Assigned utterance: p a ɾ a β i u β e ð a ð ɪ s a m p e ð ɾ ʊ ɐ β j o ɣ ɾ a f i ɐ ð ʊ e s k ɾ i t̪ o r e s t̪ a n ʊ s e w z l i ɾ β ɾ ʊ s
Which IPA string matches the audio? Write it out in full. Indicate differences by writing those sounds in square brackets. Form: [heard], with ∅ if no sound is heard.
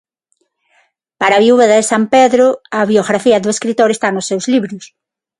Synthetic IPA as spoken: p a ɾ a β i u β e ð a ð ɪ s a m p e ð ɾ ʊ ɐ β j o ɣ ɾ a f i ɐ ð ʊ e s k ɾ i t̪ o [ɾ] e s t̪ a n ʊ s e w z l i [∅] β ɾ ʊ s